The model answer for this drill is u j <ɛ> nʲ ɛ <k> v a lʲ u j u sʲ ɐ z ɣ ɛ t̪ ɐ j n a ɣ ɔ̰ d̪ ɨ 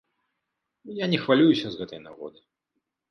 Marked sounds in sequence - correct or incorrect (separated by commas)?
incorrect, incorrect